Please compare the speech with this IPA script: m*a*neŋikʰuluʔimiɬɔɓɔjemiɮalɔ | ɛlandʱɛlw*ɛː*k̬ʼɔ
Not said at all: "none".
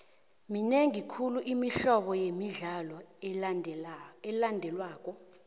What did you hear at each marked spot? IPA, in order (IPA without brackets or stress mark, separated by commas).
i, aː